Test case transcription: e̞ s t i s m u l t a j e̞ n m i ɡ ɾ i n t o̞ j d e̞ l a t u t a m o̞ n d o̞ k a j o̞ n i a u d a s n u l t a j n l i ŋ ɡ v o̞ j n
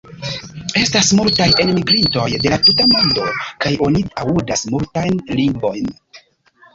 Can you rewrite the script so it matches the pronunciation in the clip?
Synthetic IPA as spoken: e̞ s t a s m u l t a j e̞ n m i ɡ ɾ i n t o̞ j d e̞ l a t u t a m o̞ n d o̞ k a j o̞ n i a u d a s m u l t a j n l i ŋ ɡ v o̞ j n